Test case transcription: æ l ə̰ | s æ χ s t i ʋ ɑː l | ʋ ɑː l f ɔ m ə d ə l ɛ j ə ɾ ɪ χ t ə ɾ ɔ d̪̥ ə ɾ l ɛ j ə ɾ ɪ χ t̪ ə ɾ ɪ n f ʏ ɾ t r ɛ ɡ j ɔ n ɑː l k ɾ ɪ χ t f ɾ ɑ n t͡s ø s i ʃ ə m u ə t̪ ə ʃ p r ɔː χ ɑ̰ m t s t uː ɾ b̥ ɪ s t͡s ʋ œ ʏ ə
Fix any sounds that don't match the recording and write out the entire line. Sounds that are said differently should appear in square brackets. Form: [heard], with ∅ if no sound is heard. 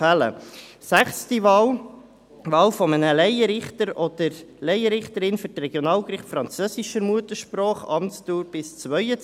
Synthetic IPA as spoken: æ l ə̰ | s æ χ s t i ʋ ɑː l | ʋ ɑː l f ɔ m ə [n] ə l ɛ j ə ɾ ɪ χ t ə ɾ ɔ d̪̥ ə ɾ l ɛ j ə ɾ ɪ χ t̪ ə ɾ ɪ n f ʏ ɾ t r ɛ ɡ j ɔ n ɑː l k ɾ ɪ χ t f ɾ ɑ n t͡s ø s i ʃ ə m u ə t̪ ə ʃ p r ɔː χ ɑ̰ m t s t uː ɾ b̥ ɪ s t͡s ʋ œ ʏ ə